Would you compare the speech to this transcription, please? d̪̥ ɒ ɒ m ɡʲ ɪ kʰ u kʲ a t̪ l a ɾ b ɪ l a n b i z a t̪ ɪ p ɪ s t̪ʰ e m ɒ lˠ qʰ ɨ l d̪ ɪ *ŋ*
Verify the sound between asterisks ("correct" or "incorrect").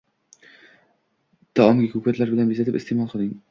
correct